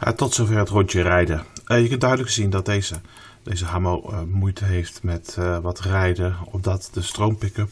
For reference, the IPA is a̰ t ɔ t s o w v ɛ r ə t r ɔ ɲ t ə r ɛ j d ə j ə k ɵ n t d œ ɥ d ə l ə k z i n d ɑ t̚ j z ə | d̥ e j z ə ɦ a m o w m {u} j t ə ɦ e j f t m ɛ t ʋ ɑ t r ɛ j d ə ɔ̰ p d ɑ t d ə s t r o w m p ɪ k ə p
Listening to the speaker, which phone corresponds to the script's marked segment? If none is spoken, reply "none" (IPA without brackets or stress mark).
u